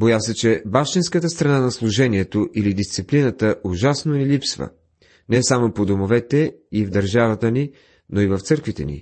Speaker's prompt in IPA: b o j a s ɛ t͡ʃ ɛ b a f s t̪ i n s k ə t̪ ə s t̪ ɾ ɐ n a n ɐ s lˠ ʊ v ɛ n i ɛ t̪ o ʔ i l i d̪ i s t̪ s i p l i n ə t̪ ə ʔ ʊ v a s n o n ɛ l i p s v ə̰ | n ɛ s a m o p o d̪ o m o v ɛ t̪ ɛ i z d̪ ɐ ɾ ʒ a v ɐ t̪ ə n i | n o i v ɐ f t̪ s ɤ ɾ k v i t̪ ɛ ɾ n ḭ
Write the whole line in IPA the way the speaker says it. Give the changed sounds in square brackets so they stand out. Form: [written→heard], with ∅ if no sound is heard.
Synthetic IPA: b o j a s ɛ t͡ʃ ɛ b a f [s→ʃ] t̪ i n s k ə t̪ ə s t̪ ɾ ɐ n a n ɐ s lˠ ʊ [v→ʒ] ɛ n i ɛ t̪ o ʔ i l i d̪ i s t̪ s i p l i n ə t̪ ə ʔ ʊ [v→ʒ] a s n o n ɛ l i p s v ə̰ | n ɛ s a m o p o d̪ o m o v ɛ t̪ ɛ i [z→v] d̪ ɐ ɾ ʒ a v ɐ t̪ ə n i | n o i v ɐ f t̪ s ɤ ɾ k v i t̪ ɛ [ɾ→∅] n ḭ